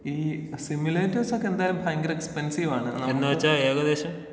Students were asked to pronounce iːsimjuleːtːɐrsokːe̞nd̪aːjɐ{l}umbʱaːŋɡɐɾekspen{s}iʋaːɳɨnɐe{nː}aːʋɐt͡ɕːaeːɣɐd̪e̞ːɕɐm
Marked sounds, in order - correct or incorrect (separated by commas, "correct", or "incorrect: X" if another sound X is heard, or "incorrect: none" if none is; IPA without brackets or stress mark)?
correct, correct, correct